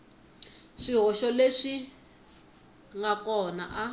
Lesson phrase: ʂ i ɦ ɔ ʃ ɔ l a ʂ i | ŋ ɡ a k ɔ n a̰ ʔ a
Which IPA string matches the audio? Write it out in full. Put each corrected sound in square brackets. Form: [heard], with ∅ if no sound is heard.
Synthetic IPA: ʂ i ɦ ɔ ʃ ɔ l [e] ʂ i | ŋ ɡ a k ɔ n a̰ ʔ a

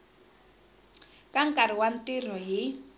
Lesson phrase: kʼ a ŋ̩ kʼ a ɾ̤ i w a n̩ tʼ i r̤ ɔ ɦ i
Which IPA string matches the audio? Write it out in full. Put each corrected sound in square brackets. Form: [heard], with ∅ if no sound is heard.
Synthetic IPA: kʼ a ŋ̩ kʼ a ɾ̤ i w a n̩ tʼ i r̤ ɔ ɦ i

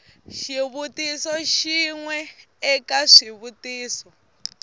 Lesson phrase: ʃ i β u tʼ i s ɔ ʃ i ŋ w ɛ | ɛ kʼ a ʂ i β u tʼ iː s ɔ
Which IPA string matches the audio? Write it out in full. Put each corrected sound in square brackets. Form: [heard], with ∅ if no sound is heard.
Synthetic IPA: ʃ i β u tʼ i s ɔ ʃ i ŋ w ɛ | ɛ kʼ a ʂ i β u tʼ iː s ɔ

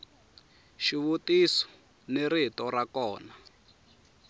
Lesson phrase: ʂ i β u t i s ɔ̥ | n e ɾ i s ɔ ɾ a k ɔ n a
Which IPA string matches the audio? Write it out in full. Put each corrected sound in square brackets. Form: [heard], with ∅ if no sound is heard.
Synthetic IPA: [ʃ] i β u t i s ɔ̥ | n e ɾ i [t] ɔ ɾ a k [ɔː] n a

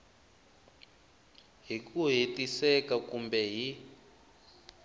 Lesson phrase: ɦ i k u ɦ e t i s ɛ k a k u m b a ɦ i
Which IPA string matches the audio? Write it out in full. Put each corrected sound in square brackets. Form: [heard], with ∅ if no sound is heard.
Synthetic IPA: ɦ i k u ɦ e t i s ɛ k a k u m b [ɛ] ɦ i

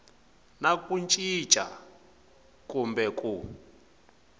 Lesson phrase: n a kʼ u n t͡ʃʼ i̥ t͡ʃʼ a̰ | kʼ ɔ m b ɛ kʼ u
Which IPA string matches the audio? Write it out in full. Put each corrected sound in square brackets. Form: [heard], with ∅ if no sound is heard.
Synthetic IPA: n a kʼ u n t͡ʃʼ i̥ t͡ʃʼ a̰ | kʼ [u] m b ɛ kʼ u

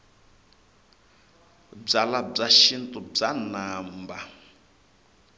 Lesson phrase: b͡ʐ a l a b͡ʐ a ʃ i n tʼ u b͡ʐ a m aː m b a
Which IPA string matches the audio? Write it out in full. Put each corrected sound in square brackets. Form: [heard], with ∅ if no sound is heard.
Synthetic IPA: b͡ʐ a l a b͡ʐ a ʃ i n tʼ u b͡ʐ a [n] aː m b a

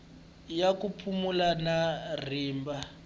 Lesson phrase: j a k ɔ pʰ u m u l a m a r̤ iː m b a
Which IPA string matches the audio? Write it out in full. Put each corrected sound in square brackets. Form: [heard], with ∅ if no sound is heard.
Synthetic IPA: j a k [u] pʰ u m u l a [n] a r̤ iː m b a

